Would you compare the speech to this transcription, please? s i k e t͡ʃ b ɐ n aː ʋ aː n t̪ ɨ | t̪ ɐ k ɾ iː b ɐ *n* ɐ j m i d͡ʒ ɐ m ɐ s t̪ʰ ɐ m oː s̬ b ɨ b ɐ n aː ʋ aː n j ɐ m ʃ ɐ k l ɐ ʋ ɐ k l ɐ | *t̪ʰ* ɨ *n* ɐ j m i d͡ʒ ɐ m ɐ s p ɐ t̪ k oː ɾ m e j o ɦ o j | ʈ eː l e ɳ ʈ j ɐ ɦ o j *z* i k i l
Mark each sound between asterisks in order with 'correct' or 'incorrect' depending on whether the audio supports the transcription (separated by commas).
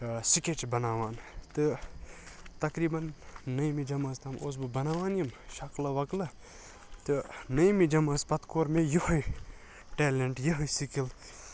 incorrect, incorrect, correct, incorrect